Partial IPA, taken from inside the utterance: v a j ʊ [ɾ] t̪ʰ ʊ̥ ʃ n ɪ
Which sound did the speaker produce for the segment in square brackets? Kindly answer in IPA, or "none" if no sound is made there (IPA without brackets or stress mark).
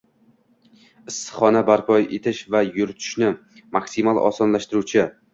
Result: ɾ